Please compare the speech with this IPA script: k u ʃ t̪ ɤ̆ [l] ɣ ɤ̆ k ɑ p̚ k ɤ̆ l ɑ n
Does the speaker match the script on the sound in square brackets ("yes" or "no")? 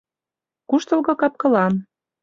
yes